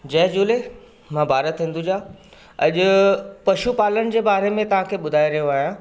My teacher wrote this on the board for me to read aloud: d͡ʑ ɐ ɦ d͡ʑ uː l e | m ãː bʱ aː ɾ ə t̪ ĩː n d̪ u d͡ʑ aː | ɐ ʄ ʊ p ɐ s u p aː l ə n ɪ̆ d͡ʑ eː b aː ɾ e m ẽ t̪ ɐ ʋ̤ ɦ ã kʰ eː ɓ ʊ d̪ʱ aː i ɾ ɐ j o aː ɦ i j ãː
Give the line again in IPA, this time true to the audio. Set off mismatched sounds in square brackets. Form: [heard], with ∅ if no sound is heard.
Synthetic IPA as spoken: d͡ʑ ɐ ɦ d͡ʑ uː l e | m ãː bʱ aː ɾ ə t̪ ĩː n d̪ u d͡ʑ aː | ɐ ʄ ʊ p ɐ [ʃ] u p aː l ə n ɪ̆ d͡ʑ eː b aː ɾ e m ẽ t̪ ɐ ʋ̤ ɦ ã kʰ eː ɓ ʊ d̪ʱ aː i ɾ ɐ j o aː ɦ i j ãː